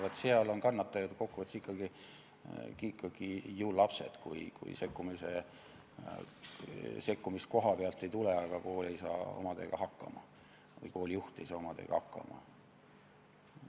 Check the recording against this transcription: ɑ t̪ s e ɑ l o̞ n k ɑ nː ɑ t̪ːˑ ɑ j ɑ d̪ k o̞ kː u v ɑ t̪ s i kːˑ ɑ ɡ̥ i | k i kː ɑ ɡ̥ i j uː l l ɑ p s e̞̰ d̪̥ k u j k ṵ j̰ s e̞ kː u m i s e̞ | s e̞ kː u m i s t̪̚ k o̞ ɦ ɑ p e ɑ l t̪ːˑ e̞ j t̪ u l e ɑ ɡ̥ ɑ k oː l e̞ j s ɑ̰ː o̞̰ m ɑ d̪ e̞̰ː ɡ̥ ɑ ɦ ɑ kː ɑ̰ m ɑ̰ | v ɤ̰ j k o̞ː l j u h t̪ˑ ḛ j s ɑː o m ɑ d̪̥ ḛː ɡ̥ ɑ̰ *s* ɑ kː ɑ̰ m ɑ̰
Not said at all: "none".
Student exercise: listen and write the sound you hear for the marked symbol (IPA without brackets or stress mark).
h